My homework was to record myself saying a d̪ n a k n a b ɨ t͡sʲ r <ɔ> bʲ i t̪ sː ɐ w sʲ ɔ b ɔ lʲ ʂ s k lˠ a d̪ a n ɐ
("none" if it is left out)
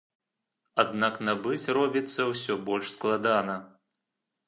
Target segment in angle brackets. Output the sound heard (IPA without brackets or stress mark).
ɔ